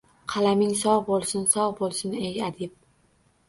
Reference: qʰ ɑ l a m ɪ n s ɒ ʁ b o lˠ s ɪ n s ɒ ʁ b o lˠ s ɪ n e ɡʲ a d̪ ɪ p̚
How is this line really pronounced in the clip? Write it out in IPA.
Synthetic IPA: qʰ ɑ l a m ɪ ŋ s ɒ ʁ b o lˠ s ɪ n s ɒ ʁ b o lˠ s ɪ n e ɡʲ a d̪ ɪ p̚